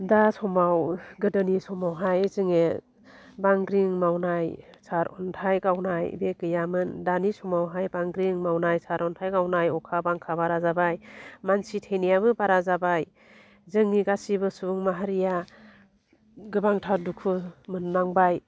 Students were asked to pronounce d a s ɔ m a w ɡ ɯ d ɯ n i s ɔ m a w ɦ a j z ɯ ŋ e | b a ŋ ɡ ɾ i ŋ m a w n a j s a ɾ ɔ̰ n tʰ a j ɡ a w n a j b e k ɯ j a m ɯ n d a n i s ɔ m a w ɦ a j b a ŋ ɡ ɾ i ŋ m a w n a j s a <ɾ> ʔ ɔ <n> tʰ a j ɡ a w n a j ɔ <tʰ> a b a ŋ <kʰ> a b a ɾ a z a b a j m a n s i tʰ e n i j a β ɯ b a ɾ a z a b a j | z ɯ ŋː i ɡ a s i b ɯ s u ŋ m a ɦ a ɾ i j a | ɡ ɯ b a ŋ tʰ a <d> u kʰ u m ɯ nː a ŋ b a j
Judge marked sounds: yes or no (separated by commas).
yes, yes, no, yes, yes